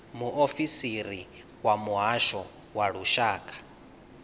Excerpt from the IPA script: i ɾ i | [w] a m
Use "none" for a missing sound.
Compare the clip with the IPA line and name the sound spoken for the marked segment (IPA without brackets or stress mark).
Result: w